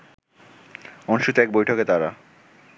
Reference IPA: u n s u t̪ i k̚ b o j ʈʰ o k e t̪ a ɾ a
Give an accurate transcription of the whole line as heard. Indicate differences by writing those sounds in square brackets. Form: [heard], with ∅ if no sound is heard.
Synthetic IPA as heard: [ɔ] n [ʃ] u t̪ [ɛ] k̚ b o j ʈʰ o k e t̪ a ɾ a